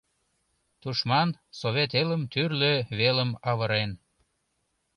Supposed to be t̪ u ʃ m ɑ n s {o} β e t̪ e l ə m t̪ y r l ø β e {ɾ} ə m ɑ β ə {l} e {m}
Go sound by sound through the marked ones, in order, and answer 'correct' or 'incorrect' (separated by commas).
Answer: correct, incorrect, incorrect, incorrect